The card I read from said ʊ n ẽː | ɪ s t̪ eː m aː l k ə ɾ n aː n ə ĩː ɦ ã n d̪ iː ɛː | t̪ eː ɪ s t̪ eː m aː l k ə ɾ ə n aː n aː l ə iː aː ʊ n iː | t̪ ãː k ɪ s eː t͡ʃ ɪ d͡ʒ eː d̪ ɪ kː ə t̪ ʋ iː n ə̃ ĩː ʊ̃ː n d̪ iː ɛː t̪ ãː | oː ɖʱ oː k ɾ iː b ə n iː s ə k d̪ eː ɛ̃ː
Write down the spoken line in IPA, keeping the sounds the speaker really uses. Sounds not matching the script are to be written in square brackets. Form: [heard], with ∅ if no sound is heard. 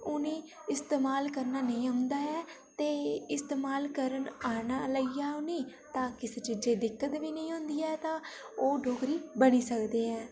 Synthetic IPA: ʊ n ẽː | ɪ s t̪ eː m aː l k ə ɾ n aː n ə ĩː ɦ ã n d̪ [aː] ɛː | t̪ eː ɪ s t̪ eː m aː l k ə ɾ ə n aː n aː l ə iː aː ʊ n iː | t̪ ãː k ɪ s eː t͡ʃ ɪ d͡ʒ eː d̪ ɪ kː ə t̪ ʋ iː n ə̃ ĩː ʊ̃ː n d̪ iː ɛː t̪ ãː | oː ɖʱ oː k ɾ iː b ə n iː s ə k d̪ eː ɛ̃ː